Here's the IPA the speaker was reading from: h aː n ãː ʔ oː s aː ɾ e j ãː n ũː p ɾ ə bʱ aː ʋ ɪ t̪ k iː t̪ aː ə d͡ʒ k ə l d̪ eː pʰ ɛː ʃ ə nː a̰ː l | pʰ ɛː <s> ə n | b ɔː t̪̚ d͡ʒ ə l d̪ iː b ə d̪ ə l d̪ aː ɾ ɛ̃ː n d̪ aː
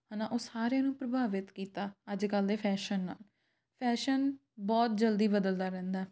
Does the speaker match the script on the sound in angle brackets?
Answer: no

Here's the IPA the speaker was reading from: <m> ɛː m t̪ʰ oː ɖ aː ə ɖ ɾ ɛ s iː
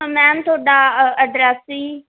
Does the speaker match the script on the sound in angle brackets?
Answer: yes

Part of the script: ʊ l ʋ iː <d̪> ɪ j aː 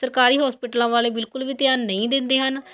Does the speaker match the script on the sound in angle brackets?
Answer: no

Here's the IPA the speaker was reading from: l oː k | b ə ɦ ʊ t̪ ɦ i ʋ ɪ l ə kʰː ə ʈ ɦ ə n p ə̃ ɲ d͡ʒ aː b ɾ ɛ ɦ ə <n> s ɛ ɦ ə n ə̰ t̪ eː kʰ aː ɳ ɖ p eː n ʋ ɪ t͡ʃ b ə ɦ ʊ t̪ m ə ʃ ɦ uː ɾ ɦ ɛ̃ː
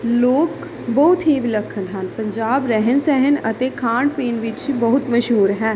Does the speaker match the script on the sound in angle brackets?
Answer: yes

